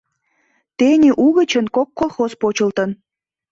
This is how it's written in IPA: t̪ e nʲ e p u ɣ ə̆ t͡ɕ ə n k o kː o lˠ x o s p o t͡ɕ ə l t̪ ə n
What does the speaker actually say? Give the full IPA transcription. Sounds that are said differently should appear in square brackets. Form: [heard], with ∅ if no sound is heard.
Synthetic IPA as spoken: t̪ e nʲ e [ʔ] u ɣ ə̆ t͡ɕ ə n k o kː o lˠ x o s p o t͡ɕ ə l t̪ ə n

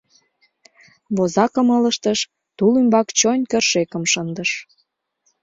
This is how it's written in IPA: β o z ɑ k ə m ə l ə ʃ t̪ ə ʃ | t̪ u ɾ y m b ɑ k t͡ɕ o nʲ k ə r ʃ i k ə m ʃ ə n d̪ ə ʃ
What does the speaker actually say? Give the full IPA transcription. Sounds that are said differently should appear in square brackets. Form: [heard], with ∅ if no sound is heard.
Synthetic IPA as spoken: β o z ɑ k ə m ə l ə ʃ t̪ ə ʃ | t̪ u [l] y m b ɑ k t͡ɕ o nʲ k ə r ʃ [e] k ə m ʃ ə n d̪ ə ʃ

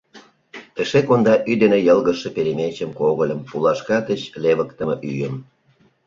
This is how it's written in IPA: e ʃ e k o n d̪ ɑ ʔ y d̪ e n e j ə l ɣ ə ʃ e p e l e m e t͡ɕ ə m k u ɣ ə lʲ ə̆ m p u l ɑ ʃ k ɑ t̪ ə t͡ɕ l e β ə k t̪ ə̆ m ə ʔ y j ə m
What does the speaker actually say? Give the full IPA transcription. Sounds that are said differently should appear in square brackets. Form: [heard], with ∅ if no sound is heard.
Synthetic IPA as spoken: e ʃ e k o n d̪ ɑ ʔ y d̪ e n e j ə l ɣ ə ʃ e p e [ɾ] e m e t͡ɕ ə m k [o] ɣ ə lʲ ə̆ m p u l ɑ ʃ k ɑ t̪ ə t͡ɕ l e β ə k t̪ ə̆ m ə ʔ y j ə m

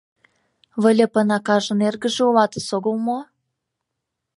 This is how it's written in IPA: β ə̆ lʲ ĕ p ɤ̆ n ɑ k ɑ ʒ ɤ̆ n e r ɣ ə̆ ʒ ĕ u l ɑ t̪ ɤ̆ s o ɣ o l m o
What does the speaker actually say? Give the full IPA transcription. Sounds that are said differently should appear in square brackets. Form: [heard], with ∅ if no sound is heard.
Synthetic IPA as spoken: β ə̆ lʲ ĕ p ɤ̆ n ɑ k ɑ ʒ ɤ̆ n e r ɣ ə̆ ʒ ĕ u l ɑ t̪ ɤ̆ s o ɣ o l m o

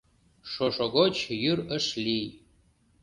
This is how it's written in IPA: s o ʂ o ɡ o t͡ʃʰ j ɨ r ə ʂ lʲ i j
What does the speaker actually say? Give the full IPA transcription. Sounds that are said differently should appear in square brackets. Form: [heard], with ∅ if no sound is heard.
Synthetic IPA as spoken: [ʂ] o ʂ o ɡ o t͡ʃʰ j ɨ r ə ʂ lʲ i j

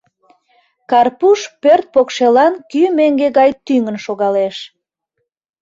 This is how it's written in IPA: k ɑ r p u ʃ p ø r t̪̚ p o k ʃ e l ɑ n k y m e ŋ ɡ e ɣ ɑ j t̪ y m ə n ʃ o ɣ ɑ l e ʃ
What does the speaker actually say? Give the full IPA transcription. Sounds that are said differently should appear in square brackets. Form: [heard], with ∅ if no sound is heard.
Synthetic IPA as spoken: k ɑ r p u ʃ p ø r t̪̚ p o k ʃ e l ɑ n k y m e ŋ ɡ e ɣ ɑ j t̪ y [ŋ] ə n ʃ o ɣ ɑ l e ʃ

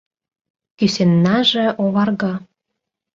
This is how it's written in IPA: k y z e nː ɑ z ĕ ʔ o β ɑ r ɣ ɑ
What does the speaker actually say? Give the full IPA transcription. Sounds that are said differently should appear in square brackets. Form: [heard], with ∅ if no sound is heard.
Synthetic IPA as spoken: k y [s] e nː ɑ [ʒ] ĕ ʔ o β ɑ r ɣ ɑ

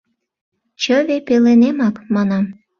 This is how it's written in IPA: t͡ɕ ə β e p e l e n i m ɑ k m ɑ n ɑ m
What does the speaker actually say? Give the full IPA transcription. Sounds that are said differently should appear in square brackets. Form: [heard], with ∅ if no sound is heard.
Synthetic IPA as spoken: t͡ɕ ə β e p e l e n [e] m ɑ k m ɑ n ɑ m

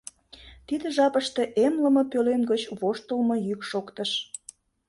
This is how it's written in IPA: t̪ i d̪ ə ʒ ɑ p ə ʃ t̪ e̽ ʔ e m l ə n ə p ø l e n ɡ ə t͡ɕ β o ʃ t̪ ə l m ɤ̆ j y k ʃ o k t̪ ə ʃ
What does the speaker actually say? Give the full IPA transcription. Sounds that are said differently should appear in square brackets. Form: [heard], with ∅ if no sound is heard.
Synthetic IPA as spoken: t̪ i d̪ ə ʒ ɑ p ə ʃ t̪ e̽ ʔ e m l ə [m] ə p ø l e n ɡ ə t͡ɕ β o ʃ t̪ ə l m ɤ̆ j y k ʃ o k t̪ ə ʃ

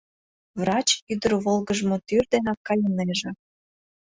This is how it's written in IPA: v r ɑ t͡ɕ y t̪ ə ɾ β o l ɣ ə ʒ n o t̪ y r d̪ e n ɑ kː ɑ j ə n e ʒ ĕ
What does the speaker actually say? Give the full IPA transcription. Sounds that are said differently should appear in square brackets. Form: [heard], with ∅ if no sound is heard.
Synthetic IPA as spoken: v r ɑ t͡ɕ y [d̪] ə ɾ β o l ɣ ə ʒ [m] o t̪ y r d̪ e n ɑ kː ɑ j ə n e ʒ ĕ

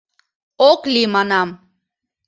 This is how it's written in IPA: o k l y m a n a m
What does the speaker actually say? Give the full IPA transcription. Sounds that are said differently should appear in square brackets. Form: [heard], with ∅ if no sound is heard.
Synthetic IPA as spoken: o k l [i] m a n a m

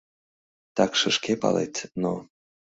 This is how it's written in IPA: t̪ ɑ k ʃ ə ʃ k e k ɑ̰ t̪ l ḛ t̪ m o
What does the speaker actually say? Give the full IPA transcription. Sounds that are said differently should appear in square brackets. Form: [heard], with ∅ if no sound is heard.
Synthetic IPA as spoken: t̪ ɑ k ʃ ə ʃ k e [p] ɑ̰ [∅] l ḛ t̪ [n] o

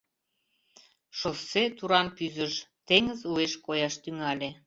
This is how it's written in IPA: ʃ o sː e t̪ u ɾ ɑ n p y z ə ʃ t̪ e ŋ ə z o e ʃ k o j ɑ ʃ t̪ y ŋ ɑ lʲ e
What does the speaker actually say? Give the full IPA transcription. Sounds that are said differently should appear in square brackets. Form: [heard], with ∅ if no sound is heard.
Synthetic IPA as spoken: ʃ o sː e t̪ u ɾ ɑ n p y z ə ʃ t̪ e ŋ ə z [u] e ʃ k o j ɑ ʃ t̪ y ŋ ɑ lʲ e

